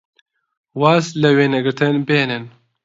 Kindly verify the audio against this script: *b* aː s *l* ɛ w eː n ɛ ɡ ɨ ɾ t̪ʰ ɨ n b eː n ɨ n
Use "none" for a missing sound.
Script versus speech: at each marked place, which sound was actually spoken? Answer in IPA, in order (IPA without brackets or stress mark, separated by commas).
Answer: w, l